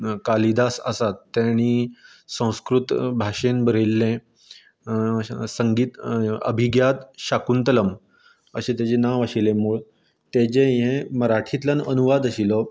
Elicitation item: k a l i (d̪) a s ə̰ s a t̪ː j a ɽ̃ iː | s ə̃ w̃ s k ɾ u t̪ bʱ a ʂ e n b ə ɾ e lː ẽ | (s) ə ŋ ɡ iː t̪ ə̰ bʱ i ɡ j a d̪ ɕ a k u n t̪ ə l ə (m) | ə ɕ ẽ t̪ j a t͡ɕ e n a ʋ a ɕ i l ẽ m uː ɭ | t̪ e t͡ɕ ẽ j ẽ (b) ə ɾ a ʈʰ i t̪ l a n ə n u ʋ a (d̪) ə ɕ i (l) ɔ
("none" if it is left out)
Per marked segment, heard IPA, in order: d̪, s, m, m, d̪, l

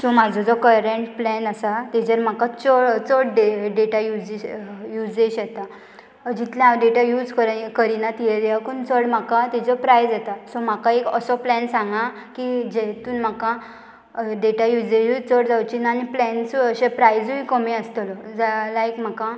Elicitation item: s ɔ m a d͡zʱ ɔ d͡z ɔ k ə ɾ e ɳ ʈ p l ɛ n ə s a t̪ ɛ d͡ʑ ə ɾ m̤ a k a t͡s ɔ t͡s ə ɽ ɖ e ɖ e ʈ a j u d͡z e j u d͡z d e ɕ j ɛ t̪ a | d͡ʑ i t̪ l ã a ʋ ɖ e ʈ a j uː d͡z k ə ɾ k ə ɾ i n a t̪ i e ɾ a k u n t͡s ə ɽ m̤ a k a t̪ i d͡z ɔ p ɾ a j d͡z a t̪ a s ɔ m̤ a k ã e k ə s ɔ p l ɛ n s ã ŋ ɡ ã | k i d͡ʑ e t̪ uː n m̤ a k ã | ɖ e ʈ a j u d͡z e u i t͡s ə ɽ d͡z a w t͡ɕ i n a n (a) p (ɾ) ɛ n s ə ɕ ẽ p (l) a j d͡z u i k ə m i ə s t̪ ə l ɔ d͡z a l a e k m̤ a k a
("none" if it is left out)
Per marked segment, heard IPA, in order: i, l, ɾ

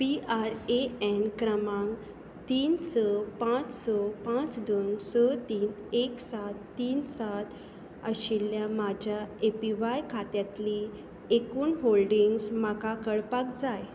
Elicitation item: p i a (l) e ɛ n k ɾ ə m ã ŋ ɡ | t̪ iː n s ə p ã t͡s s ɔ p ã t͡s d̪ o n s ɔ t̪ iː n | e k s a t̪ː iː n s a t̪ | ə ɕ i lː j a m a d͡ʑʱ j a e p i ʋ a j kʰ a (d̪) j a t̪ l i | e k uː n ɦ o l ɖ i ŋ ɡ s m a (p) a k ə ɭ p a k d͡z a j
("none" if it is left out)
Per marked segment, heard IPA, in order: ɾ, t̪, k

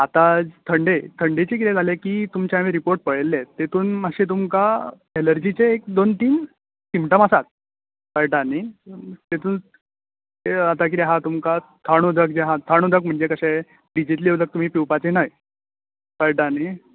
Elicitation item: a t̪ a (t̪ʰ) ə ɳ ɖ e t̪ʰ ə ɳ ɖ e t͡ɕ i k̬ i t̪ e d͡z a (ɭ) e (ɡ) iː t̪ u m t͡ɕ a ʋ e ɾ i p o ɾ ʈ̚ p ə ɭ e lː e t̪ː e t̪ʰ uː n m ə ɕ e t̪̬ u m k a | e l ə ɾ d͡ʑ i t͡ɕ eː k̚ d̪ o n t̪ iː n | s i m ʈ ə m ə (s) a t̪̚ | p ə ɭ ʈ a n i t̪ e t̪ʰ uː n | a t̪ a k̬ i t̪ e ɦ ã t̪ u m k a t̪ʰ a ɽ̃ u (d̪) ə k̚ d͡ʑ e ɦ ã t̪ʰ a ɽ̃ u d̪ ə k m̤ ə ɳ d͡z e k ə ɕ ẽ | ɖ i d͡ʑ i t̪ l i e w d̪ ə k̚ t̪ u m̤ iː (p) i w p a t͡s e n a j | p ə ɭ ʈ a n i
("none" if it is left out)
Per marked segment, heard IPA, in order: t̪ʰ, l, k, s, d̪, p

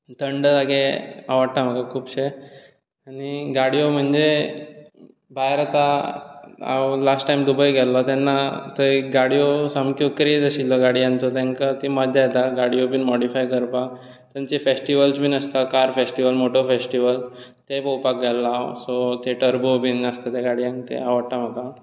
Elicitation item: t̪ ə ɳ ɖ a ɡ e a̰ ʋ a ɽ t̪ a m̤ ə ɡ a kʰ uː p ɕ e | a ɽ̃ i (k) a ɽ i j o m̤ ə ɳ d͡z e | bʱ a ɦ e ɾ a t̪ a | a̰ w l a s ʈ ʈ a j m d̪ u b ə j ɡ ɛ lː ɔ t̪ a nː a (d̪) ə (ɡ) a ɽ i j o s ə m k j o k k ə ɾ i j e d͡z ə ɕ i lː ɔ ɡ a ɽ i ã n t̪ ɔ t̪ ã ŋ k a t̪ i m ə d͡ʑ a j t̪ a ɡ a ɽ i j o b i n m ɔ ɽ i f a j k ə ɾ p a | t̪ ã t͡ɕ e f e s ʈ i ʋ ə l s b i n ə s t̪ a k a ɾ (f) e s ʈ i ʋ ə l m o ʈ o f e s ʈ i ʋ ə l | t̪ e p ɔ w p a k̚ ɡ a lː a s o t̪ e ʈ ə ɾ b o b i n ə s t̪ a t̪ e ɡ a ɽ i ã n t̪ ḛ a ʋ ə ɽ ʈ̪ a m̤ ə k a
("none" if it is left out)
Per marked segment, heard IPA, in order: ɡ, t̪, ɡ, f

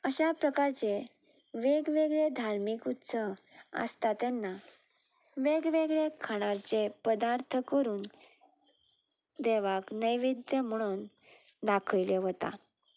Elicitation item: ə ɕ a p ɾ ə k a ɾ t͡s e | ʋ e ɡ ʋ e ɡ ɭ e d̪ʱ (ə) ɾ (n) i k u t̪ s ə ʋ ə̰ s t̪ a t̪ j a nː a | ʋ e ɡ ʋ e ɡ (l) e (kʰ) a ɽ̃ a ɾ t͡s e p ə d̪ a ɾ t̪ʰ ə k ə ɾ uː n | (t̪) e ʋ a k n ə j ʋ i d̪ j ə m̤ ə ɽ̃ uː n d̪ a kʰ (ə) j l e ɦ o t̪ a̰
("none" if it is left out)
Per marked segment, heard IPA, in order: a, m, ɭ, kʰ, d̪, ə

